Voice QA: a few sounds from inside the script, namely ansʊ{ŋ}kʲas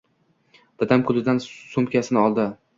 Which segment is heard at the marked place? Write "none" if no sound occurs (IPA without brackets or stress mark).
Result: m